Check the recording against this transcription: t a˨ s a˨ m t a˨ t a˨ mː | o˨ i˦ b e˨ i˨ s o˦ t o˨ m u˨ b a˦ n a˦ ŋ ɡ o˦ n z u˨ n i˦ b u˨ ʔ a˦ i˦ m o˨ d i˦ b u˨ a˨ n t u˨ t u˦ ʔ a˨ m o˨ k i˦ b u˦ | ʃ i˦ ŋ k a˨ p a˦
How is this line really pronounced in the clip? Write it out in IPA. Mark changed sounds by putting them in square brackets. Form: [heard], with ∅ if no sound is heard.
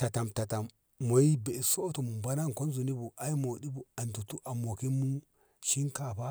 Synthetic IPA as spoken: t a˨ [t] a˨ m t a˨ t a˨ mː | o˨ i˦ b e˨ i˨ s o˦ t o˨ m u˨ b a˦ n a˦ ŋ [k] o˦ n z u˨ n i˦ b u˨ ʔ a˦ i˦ m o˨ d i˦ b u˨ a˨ n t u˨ t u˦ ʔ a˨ m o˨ k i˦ [m] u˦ | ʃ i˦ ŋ k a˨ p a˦